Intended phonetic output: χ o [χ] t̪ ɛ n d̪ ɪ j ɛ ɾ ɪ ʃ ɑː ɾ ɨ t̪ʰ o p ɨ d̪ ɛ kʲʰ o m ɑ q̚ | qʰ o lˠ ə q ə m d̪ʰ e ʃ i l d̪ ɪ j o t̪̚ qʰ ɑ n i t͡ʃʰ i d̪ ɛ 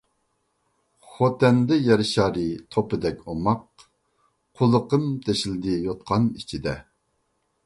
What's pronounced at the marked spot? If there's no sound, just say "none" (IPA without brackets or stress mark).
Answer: none